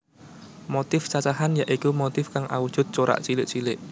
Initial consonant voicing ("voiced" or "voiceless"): voiced